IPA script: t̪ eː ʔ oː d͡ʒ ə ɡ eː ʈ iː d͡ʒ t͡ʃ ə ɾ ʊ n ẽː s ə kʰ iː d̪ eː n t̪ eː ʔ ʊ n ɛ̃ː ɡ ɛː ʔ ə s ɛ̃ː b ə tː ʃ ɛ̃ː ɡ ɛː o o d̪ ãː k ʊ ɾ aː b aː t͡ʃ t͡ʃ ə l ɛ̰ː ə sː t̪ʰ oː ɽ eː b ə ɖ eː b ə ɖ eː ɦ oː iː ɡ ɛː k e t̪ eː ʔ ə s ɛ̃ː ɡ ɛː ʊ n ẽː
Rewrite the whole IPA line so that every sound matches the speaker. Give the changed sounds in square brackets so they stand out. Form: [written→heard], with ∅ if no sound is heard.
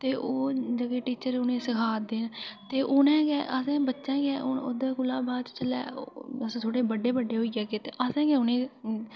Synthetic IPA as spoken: t̪ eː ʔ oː d͡ʒ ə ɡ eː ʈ iː [d͡ʒ→∅] t͡ʃ ə ɾ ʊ n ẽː s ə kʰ [iː→aː] d̪ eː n t̪ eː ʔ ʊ n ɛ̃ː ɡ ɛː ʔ ə s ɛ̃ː b ə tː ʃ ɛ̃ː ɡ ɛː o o d̪ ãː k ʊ [ɾ→l] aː b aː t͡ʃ t͡ʃ ə l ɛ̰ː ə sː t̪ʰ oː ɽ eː b ə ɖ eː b ə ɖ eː ɦ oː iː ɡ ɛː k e t̪ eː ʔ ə s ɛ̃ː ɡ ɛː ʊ n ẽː